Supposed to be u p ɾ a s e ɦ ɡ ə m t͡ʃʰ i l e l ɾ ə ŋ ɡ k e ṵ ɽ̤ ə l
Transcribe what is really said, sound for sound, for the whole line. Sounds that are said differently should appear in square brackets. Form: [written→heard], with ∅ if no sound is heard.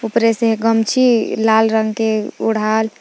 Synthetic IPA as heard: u p ɾ [a→e] s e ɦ ɡ ə m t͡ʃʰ i l [e→a] l ɾ ə ŋ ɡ k e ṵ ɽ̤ [ə→a] l